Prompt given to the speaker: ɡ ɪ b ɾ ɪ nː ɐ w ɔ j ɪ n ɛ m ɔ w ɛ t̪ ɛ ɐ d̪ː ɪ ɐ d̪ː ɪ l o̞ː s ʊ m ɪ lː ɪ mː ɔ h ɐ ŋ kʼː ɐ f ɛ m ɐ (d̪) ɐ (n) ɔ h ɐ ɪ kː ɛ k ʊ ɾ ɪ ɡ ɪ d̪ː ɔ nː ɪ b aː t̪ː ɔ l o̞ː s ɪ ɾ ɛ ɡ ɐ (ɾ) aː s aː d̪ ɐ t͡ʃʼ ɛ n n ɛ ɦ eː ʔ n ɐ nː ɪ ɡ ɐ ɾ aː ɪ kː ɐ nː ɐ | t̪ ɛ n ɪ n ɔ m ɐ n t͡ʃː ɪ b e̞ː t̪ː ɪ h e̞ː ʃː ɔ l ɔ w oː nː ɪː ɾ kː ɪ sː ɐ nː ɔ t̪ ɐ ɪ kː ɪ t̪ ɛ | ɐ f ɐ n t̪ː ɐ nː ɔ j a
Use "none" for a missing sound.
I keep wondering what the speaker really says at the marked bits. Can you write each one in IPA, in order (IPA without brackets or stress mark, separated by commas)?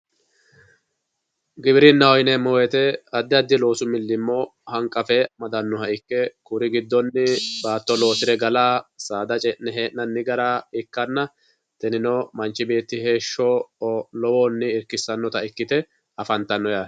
d̪, nː, l